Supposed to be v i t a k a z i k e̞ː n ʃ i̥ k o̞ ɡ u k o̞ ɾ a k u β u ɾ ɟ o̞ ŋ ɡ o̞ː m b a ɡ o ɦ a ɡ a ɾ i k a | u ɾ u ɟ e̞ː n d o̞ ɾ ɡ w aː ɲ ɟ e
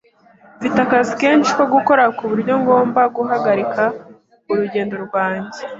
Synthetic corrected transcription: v i t a k a z i k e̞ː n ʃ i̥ k o̞ ɡ u k o̞ ɾ a k u β u ɾ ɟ o̞ ŋ ɡ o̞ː m b a ɡ u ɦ a ɡ a ɾ i k a | u ɾ u ɟ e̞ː n d o̞ ɾ ɡ w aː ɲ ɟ e